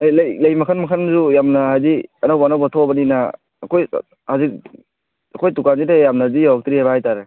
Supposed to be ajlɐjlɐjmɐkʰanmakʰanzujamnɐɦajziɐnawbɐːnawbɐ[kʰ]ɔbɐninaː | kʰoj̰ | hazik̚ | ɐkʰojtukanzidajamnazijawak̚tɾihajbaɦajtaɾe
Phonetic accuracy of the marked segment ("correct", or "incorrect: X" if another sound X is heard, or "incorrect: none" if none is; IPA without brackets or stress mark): incorrect: tʰ